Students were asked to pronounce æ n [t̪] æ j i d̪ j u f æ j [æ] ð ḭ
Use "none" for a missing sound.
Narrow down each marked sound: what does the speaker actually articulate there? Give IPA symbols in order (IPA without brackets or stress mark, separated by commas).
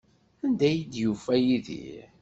d̪, i